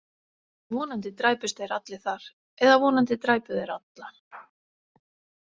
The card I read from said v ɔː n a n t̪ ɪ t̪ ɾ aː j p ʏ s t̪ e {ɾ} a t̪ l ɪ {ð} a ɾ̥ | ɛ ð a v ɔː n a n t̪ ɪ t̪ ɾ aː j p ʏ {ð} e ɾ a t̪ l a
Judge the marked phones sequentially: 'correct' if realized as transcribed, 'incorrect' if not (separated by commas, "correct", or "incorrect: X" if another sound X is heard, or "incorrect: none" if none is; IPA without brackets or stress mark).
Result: correct, incorrect: θ, correct